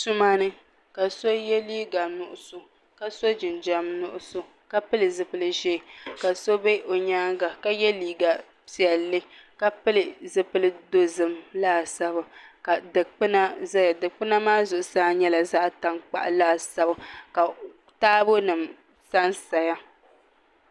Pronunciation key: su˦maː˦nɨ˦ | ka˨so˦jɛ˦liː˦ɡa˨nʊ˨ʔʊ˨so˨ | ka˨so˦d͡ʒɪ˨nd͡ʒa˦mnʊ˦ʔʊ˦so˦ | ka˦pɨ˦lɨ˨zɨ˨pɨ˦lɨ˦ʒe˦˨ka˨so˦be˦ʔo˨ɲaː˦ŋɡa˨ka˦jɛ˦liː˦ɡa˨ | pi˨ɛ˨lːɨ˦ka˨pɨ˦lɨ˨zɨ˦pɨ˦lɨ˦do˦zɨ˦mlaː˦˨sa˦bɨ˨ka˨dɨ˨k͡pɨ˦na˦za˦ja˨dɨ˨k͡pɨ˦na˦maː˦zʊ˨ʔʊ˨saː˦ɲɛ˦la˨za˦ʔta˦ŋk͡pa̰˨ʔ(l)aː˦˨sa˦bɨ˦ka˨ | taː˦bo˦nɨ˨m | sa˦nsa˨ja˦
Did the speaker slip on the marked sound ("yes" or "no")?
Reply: no